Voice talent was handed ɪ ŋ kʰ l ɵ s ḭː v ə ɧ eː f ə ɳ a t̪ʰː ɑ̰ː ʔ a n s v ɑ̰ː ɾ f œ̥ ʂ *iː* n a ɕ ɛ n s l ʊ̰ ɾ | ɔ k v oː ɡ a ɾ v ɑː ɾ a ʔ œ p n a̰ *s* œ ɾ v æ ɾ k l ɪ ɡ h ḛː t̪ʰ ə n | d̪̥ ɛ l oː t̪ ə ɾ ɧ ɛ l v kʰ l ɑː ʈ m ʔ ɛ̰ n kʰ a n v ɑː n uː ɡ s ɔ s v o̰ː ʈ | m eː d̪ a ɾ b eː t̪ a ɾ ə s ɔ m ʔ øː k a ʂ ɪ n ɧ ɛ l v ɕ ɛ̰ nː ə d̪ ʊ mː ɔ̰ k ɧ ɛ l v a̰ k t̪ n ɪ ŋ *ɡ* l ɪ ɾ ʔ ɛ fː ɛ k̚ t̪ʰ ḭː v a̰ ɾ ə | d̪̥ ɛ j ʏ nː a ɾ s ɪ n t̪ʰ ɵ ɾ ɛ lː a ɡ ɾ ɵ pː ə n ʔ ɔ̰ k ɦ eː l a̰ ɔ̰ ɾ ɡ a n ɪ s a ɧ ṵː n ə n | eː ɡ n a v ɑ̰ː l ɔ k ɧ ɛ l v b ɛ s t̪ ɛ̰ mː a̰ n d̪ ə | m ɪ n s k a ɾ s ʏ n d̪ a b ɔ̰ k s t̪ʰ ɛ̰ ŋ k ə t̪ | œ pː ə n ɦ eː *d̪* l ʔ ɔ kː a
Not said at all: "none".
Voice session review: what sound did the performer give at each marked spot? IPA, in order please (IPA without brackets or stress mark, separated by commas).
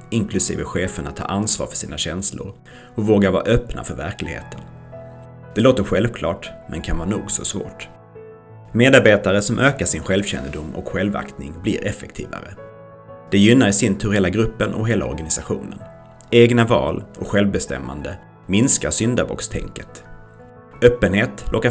iː, f, b, t̪